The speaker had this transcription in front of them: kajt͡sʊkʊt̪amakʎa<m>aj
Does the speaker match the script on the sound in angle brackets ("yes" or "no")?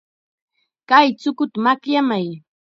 yes